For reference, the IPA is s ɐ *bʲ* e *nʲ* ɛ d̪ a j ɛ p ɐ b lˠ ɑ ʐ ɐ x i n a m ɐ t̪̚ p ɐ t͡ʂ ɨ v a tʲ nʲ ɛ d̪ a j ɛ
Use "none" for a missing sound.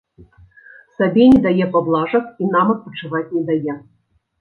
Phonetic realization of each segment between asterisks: bʲ, nʲ

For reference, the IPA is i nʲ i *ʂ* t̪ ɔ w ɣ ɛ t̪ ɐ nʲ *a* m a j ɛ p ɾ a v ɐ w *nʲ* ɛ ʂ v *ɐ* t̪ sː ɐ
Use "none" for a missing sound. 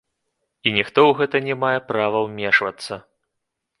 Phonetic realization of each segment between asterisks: x, ɛ, mʲ, ɐ

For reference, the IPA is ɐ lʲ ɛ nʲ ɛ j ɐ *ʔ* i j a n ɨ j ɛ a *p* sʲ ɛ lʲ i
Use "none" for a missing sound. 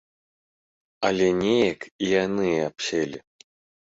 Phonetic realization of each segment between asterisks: k, p

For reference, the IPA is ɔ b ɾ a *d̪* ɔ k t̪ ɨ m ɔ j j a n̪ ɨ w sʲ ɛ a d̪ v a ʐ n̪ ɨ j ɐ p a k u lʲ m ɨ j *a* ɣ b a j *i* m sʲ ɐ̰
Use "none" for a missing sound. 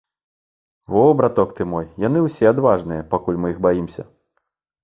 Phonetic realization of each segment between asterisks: t̪, i, i

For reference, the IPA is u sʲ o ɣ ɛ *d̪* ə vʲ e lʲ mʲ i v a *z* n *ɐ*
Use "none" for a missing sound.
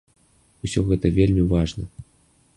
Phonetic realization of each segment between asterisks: t̪, ʐ, ə

